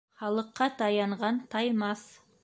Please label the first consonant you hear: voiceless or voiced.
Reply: voiceless